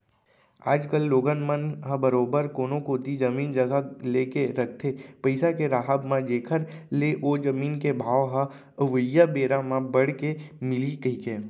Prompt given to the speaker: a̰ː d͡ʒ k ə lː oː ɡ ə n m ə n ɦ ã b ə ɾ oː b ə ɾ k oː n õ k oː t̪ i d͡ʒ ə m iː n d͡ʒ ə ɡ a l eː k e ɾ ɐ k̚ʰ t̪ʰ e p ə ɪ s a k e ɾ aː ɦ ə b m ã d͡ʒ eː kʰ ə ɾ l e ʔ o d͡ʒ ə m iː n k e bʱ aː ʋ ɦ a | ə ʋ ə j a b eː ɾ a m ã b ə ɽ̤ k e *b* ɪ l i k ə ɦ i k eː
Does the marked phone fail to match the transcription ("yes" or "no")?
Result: yes